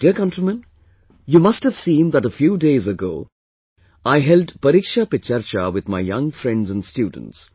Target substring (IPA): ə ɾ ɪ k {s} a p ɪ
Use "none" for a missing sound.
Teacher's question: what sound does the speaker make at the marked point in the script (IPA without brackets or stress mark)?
ʃ